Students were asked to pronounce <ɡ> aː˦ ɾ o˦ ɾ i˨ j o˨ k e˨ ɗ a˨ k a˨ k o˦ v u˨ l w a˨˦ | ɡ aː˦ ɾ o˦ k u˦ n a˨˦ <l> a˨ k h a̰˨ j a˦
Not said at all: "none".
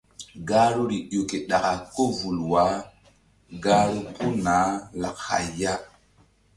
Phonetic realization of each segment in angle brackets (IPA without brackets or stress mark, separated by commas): ɡ, l